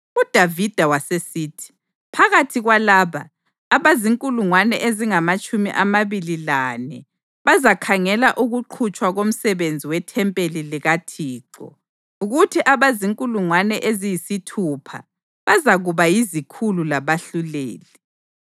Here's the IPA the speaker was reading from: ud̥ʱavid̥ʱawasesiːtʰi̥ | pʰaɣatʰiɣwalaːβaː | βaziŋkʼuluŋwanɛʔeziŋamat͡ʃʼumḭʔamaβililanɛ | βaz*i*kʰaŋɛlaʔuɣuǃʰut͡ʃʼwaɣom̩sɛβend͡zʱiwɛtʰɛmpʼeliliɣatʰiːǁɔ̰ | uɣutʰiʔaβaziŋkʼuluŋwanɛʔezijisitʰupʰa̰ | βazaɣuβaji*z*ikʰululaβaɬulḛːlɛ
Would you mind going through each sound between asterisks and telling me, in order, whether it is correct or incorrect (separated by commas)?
incorrect, correct